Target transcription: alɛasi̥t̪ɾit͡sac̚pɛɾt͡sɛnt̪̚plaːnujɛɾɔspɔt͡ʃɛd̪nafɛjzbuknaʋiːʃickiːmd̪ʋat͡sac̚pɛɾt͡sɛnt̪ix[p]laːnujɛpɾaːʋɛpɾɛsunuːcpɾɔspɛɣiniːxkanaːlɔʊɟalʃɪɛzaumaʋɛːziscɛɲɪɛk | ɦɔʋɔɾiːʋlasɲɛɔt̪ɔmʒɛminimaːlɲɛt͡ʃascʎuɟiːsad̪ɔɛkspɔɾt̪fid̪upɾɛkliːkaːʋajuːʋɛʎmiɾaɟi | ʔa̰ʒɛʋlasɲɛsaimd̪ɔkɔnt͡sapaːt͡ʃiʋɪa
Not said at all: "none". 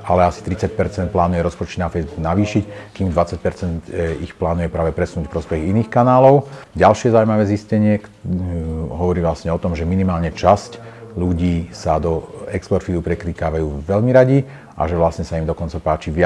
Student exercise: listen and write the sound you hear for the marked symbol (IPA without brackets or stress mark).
p